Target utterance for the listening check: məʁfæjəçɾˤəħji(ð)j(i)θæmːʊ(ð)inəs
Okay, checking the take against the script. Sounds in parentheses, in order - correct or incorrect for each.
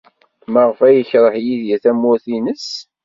correct, incorrect, incorrect

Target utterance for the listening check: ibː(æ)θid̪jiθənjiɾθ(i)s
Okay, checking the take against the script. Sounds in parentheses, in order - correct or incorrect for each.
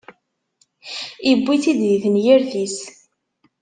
incorrect, correct

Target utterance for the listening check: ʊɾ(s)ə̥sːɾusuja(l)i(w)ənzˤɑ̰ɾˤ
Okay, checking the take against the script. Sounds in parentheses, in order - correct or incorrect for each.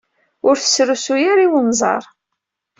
incorrect, incorrect, correct

